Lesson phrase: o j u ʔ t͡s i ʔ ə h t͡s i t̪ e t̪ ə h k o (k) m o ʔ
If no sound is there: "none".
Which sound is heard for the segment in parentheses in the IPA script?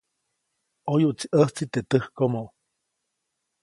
none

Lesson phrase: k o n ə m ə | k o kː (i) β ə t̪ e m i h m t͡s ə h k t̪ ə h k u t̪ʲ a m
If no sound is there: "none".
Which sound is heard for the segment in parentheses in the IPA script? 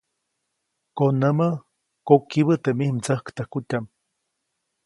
i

